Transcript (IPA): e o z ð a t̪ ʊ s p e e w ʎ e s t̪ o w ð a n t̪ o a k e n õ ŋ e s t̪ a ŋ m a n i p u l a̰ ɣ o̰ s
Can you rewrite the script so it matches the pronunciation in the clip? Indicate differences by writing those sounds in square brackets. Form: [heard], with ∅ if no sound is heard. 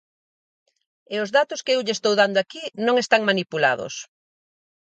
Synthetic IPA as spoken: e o z ð a t̪ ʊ s [k] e e w ʎ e s t̪ o w ð a n [d̪] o a k [i] n õ ŋ e s t̪ a ŋ m a n i p u l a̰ [ð] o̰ s